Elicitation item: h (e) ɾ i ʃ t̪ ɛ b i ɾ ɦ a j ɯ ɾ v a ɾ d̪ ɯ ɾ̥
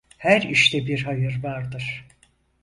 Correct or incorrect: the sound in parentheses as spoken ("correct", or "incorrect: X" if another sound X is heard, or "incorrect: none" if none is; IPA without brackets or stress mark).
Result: incorrect: æ